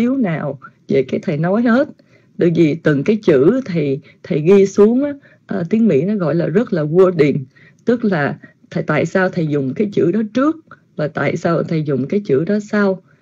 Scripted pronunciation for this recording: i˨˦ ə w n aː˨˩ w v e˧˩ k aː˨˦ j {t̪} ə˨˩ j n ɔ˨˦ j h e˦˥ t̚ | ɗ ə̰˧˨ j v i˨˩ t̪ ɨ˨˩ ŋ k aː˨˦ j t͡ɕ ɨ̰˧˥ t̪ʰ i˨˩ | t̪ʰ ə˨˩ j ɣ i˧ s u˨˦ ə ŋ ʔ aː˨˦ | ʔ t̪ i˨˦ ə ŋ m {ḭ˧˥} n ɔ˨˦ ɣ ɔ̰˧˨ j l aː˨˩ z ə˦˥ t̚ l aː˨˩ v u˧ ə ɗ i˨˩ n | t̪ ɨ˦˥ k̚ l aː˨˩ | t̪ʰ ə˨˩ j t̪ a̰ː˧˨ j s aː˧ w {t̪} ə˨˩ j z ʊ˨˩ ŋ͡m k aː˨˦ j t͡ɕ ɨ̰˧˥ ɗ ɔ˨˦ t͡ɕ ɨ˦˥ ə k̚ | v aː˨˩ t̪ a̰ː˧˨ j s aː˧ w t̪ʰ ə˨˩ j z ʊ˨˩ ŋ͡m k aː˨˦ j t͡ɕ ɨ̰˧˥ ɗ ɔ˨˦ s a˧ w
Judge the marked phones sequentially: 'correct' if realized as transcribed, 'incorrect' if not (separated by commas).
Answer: incorrect, correct, incorrect